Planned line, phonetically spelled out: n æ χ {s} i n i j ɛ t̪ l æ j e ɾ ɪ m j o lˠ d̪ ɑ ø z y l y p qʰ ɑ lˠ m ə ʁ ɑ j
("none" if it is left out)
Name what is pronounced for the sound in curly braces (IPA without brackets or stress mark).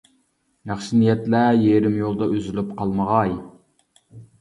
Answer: ʃ